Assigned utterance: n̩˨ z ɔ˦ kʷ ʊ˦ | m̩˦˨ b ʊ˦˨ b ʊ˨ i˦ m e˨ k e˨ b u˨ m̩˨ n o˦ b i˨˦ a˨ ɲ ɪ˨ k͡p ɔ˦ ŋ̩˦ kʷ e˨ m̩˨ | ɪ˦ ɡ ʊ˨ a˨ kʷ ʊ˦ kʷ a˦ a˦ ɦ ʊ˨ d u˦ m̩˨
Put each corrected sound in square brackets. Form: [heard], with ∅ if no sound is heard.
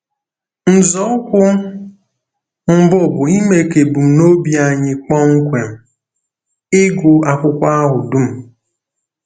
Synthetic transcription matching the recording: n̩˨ z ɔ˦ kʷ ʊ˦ | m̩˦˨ b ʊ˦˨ b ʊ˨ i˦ m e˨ k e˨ b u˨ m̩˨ n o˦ b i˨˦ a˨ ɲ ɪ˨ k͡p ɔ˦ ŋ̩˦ kʷ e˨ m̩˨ | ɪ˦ ɡ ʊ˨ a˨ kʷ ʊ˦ kʷ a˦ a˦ ɦ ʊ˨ d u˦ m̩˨